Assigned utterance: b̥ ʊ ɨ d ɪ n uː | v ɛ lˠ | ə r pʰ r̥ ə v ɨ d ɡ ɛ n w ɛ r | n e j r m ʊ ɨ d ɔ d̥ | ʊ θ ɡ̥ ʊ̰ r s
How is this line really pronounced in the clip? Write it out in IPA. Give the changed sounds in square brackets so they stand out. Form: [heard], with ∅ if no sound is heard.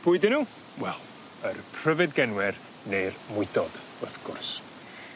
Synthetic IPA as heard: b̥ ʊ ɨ d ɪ n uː | [w] ɛ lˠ | ə r pʰ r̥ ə v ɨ d ɡ ɛ n w ɛ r | n e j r m ʊ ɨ d ɔ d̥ | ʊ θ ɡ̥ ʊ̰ r s

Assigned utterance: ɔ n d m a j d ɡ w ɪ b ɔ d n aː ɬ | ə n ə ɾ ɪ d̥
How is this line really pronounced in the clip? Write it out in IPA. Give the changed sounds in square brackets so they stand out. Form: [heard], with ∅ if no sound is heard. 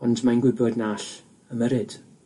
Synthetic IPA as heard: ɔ n d m a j [n] ɡ w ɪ b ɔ d n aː ɬ | ə [m] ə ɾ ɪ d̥

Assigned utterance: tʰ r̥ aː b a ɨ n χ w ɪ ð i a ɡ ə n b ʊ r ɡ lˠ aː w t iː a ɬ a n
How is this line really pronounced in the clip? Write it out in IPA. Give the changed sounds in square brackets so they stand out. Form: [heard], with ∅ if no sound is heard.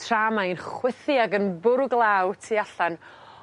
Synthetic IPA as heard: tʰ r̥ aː [m] a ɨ n χ w ɪ [θ] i a ɡ ə n b ʊ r ɡ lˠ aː w [tʰ] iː a ɬ a n

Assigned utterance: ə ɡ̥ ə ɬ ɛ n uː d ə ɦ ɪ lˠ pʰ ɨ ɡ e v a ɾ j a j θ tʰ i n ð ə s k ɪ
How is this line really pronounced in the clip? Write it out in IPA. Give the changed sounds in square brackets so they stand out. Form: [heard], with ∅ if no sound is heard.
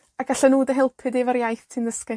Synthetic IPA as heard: [a] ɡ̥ [a] ɬ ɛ n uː d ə ɦ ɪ lˠ pʰ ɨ [d] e v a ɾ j a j θ tʰ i n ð ə s k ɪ

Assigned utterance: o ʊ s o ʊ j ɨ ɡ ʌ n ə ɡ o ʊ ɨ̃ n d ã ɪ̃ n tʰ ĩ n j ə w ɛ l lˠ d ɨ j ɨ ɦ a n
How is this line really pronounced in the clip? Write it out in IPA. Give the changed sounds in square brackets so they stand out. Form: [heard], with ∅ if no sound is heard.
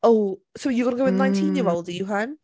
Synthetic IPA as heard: o ʊ s o ʊ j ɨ ɡ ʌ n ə ɡ o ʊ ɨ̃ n [n] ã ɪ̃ n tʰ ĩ n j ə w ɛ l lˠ d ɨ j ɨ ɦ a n

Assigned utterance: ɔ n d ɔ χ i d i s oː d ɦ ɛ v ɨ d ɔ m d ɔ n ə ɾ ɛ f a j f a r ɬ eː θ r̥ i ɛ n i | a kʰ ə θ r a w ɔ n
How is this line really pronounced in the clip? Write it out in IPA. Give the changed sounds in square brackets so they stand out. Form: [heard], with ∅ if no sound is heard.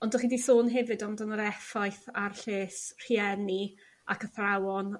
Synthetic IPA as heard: ɔ n d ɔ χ i d i s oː [n] ɦ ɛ v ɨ d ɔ m d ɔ n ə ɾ ɛ f a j [θ] a r ɬ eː [s] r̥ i ɛ n i | a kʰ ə θ r a w ɔ n

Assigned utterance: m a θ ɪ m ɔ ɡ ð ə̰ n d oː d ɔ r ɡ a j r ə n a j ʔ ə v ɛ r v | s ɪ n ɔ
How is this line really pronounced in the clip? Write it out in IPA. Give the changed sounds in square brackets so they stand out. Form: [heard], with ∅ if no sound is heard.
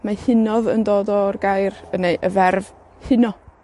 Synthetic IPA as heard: m a [h] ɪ [n] ɔ [∅] ð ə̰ n d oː d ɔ r ɡ a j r ə n [e] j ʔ ə v ɛ r v | [h] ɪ n ɔ

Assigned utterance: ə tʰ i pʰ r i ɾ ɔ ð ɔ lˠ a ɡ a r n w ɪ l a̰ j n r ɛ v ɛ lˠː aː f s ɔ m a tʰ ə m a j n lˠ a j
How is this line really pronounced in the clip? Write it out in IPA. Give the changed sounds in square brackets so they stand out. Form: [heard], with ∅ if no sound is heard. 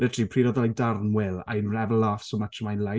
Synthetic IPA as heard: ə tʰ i pʰ r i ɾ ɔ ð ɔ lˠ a [d] a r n w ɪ l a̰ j n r ɛ v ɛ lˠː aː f s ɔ m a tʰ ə m a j n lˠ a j

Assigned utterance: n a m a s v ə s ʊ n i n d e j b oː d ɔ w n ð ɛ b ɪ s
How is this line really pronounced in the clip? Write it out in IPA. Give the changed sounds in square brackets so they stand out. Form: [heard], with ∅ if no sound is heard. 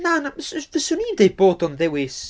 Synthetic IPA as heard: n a [n] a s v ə s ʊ n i n d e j b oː d ɔ [∅] n ð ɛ [w] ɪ s

